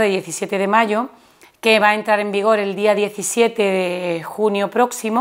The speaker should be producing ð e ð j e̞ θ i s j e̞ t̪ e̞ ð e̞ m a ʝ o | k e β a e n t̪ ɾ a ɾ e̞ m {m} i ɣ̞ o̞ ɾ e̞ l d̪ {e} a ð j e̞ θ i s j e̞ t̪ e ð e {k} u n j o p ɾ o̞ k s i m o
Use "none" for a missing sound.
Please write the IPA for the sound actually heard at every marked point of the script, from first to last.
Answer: b, i, x

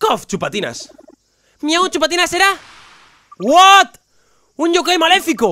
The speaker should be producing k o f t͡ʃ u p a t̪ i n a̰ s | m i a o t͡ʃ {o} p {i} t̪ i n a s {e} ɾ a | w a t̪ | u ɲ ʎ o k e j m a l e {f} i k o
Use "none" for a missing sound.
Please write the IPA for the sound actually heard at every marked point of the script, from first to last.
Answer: u, a, e, f

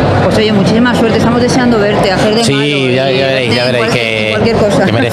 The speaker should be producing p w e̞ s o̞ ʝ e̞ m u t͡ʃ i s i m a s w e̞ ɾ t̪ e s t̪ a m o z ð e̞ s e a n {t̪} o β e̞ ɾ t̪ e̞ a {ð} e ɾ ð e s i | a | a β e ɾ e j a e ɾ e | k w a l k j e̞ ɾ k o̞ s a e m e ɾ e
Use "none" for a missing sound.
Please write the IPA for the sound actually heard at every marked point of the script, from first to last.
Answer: d̪, θ

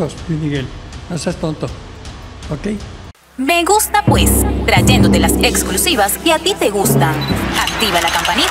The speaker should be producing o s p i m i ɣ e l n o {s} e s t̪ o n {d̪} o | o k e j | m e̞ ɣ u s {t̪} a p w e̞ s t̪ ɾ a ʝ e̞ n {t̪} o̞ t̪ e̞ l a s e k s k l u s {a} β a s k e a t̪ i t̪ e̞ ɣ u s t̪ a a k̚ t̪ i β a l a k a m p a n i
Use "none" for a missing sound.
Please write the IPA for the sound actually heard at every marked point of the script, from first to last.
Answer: s, t̪, t̪, d̪, i

